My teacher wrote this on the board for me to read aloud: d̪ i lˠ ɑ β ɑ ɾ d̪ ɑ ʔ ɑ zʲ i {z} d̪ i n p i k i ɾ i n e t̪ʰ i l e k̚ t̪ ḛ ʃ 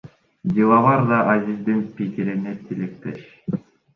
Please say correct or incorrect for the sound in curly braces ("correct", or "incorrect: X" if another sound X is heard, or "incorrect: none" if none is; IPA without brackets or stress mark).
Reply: correct